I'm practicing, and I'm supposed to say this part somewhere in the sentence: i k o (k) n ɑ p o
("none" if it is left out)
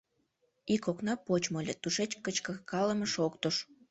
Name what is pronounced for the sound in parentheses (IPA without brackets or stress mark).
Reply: k